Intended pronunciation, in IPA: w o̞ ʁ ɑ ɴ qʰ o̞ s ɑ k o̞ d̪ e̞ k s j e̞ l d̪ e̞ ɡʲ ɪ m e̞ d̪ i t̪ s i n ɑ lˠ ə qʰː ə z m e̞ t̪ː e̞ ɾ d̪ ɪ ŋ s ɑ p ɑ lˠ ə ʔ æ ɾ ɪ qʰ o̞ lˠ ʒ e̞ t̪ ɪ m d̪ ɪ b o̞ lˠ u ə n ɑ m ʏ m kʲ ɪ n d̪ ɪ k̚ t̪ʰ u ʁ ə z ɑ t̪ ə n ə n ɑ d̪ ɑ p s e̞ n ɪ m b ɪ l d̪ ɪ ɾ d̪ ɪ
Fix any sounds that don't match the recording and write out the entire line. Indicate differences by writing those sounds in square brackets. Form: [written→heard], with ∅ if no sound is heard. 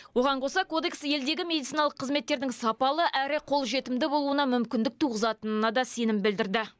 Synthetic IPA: w o̞ ʁ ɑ ɴ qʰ o̞ s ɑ k o̞ d̪ e̞ k s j e̞ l d̪ e̞ ɡʲ ɪ m e̞ d̪ i t̪ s i n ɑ lˠ ə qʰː ə z m e̞ t̪ː e̞ ɾ d̪ ɪ ŋ s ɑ p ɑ lˠ ə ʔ æ ɾ ɪ qʰ o̞ lˠ ʒ e̞ t̪ ɪ m d̪ ɪ b o̞ lˠ u ə n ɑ m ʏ m kʲ ɪ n d̪ ɪ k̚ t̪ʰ u ʁ ə z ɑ t̪ ə n ə n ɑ d̪ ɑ [p→∅] s e̞ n ɪ m b ɪ l d̪ ɪ ɾ d̪ ɪ